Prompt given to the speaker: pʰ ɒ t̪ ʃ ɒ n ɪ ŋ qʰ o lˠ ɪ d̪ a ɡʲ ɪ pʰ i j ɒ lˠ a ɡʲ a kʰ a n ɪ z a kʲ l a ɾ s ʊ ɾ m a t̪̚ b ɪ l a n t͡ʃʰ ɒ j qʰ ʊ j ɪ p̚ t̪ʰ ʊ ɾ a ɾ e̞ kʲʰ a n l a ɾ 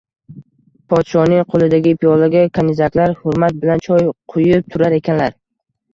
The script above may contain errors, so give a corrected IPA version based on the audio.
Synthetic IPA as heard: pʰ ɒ t̪ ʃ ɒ n ɪ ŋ qʰ o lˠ ɪ d̪ a ɡʲ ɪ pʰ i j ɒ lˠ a ɡʲ a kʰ a n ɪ z a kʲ l a ɾ h ʊ ɾ m a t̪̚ b ɪ l a n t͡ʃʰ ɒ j qʰ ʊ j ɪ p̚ t̪ʰ ʊ ɾ a ɾ e̞ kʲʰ a n l a ɾ